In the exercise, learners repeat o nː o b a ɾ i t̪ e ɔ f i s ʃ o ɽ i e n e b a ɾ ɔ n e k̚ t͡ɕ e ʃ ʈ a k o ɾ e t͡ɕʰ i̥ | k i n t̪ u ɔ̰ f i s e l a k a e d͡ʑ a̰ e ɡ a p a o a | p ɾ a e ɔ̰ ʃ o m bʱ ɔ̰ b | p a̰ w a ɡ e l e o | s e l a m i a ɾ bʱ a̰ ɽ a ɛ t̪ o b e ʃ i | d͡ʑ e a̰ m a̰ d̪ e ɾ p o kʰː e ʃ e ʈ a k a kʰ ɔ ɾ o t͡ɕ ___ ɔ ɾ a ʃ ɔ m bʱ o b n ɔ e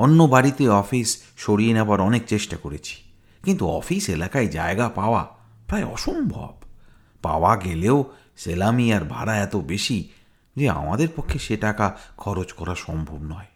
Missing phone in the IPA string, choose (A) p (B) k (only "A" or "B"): B